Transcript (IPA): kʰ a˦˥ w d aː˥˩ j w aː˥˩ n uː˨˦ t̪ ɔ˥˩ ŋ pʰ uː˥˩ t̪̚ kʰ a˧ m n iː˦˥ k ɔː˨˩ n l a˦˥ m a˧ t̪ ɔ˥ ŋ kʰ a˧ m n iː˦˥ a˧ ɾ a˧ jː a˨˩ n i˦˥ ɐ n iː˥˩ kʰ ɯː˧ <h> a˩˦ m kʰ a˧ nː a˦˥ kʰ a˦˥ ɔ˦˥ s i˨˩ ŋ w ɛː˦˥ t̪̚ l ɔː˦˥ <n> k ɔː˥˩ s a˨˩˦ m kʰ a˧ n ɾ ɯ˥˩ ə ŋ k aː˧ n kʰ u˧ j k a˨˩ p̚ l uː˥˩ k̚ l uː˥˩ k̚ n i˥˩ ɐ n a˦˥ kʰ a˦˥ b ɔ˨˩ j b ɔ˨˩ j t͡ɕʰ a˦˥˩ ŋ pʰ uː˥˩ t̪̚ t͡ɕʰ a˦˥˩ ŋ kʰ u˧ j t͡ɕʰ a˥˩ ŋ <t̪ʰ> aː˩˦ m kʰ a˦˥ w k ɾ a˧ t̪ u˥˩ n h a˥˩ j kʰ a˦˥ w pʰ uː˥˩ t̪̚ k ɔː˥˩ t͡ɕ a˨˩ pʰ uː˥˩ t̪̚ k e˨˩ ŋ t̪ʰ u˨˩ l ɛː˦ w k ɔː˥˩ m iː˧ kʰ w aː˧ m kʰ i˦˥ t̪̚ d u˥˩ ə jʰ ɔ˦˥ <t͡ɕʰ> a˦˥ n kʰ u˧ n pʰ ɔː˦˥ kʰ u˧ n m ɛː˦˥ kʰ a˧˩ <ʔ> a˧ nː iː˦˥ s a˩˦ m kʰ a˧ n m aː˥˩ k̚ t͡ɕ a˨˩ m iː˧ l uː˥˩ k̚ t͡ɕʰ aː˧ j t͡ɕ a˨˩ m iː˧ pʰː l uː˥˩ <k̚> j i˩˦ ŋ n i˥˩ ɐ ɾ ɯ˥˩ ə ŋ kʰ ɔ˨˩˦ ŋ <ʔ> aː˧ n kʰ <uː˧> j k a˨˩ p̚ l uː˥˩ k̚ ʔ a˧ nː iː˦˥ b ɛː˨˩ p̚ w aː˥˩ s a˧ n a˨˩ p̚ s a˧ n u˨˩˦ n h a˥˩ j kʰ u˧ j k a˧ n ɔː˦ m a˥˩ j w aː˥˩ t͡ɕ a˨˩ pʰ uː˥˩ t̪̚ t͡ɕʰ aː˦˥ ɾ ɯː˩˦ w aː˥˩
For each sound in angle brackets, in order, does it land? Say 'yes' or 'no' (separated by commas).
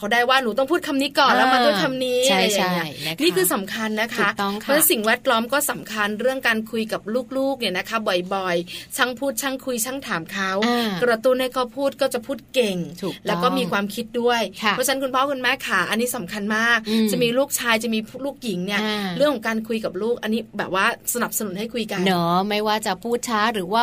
no, no, yes, yes, yes, yes, no, no